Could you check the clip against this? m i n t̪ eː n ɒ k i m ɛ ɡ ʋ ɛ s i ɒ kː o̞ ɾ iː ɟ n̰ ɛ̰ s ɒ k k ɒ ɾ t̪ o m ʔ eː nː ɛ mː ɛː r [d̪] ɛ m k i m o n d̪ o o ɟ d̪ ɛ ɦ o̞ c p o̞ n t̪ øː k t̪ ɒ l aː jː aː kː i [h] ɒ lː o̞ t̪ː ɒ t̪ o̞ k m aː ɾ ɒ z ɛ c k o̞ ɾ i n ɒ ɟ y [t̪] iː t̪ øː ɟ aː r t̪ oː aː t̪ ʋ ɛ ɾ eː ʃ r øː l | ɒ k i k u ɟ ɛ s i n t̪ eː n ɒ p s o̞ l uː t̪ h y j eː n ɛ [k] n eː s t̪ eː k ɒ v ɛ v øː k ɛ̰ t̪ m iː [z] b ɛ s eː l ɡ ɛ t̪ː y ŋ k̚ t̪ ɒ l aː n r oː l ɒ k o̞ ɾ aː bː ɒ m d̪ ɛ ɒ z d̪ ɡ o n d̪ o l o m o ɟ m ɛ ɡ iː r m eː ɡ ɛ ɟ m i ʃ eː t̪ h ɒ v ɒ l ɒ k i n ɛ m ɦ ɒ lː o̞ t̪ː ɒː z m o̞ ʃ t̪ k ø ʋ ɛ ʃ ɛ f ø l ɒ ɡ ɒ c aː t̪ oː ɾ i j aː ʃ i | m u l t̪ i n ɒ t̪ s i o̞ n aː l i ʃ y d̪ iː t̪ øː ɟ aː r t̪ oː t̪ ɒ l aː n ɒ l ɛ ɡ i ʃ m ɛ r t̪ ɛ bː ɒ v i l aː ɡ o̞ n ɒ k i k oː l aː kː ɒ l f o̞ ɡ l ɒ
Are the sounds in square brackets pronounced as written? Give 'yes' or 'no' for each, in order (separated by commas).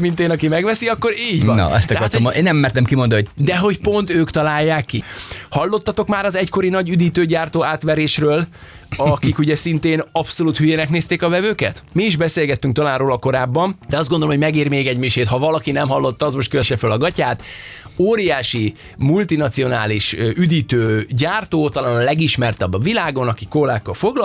no, yes, no, yes, no